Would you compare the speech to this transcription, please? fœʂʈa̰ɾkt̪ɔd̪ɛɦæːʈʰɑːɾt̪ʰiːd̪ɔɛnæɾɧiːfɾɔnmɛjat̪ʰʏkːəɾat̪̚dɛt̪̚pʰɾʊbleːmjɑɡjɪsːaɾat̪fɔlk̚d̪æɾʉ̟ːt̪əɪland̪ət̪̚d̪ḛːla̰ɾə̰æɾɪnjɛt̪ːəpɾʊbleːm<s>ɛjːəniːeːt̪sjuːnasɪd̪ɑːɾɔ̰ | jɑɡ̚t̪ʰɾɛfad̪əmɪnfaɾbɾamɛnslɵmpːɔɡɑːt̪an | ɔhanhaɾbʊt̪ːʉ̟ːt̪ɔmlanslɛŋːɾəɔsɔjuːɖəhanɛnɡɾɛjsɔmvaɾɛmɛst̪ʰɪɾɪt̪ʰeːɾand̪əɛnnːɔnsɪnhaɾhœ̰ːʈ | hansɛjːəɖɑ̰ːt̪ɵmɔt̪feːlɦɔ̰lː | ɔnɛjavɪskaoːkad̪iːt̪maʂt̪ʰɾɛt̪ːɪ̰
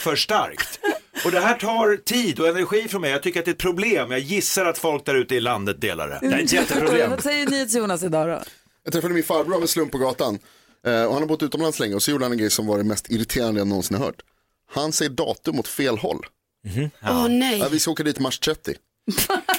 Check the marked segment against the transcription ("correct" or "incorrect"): correct